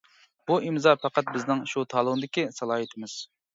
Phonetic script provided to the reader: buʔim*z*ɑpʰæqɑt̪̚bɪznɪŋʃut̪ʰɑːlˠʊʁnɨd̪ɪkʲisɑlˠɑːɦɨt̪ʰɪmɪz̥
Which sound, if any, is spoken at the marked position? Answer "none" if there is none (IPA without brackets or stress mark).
z